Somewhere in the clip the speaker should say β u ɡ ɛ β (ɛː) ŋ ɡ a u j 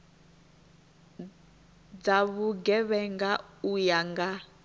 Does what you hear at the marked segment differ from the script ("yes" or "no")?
yes